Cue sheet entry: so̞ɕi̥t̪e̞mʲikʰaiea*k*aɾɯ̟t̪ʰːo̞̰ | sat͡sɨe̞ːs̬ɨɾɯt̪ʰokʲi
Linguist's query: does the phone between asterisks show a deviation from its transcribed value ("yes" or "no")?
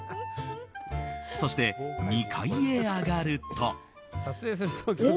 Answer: yes